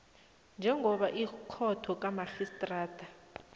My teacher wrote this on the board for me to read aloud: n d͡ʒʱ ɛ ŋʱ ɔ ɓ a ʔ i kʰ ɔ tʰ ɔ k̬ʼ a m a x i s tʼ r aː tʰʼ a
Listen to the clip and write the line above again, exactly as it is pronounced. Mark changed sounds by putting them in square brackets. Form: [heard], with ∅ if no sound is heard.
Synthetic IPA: n d͡ʒʱ ɛ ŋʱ ɔ ɓ a ʔ i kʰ ɔ tʰ ɔ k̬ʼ a m a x i s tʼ r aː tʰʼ a